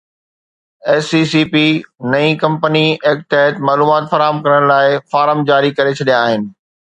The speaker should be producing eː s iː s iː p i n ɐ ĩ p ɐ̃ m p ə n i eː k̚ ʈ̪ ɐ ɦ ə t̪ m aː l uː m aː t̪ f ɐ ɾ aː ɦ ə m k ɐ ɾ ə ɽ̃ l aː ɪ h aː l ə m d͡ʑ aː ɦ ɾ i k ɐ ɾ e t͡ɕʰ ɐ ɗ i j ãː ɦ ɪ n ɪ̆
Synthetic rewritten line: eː s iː s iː p i n ɐ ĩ k ɐ̃ m p ə n i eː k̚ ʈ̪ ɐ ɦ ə t̪ m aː l uː m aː t̪ f ɐ ɾ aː ɦ ə m k ɐ ɾ ə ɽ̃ l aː ɪ f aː ɾ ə m d͡ʑ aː ɾ i k ɐ ɾ e t͡ɕʰ ɐ ɗ i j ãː ɦ ɪ n ɪ̆